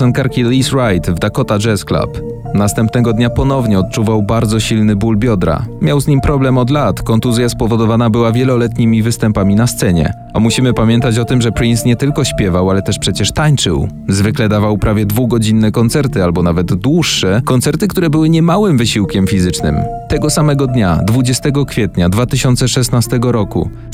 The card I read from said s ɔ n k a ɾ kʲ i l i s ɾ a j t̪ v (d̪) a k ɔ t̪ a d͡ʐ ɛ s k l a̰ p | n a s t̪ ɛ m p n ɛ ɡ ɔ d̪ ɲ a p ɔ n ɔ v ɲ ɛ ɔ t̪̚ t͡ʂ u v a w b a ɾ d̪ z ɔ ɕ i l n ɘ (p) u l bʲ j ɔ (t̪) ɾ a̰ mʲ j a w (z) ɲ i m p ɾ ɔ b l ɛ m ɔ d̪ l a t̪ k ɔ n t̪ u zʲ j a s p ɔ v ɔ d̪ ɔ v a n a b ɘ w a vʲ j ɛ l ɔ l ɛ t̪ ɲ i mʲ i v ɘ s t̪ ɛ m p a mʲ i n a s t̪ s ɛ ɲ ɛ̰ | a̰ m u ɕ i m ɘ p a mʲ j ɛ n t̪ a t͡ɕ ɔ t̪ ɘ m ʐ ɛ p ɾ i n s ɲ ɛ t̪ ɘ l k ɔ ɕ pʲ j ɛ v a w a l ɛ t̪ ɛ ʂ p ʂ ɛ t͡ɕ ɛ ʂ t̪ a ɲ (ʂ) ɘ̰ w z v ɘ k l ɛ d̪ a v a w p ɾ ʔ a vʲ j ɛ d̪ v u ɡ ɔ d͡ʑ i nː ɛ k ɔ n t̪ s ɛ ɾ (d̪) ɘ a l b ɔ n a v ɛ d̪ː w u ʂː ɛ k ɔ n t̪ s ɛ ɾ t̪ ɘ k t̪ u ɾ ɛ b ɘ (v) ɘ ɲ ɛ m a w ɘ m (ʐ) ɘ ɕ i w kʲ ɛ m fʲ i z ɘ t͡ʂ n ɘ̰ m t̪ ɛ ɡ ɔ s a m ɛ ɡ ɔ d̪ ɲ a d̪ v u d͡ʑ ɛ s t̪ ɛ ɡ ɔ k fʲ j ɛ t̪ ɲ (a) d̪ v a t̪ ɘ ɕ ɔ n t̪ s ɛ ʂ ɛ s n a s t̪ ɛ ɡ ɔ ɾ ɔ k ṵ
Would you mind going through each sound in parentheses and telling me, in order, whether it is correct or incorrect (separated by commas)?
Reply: correct, incorrect, incorrect, correct, incorrect, incorrect, incorrect, incorrect, correct